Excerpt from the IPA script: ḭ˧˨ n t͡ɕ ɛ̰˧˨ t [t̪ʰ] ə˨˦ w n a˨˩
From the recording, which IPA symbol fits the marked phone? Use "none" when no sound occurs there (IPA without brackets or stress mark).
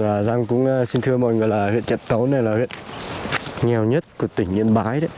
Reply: t̪